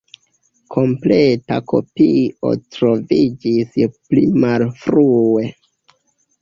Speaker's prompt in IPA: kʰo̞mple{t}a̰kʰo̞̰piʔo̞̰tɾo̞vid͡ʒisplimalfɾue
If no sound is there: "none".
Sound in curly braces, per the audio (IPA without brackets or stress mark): t